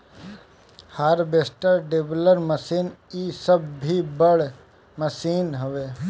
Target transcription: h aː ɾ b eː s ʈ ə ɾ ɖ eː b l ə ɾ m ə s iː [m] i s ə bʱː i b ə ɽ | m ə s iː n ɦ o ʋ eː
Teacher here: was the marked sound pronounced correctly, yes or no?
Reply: no